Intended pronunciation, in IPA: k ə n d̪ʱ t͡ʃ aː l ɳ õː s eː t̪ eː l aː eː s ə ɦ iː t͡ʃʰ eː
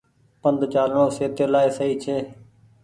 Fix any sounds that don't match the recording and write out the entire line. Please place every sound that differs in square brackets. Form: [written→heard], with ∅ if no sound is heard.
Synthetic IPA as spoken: [k→p] ə n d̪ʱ t͡ʃ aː l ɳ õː s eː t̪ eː l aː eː s ə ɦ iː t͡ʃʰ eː